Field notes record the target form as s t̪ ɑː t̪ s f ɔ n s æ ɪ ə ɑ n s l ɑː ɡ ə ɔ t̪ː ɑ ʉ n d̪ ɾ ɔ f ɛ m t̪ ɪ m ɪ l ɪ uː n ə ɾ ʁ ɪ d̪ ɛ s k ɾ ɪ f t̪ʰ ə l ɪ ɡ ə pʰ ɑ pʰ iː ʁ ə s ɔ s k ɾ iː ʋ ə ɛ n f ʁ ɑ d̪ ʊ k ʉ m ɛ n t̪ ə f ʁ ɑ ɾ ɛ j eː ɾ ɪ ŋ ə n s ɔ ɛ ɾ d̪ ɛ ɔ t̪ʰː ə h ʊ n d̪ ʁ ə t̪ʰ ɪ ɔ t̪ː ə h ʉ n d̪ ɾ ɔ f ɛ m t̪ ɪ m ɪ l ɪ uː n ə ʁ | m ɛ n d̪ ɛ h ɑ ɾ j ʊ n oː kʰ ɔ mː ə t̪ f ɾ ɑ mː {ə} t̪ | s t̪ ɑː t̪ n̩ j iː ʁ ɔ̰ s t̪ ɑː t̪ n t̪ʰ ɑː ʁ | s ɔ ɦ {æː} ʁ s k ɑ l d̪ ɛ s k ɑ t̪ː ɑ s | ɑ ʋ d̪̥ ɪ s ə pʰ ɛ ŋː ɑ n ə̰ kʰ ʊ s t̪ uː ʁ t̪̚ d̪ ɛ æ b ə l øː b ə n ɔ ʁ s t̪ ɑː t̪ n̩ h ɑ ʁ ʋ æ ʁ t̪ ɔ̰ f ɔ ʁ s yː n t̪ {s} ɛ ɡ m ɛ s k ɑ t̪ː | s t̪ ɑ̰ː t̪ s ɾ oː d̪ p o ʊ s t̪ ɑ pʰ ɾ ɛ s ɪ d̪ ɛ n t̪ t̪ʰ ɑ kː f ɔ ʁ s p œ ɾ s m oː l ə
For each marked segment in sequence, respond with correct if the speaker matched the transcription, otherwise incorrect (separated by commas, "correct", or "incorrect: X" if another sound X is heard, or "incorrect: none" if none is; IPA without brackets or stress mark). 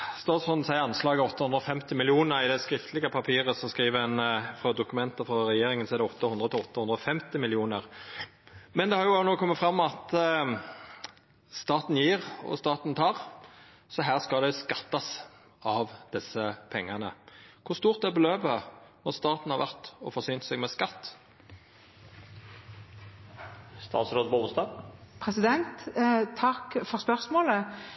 incorrect: ɑ, correct, correct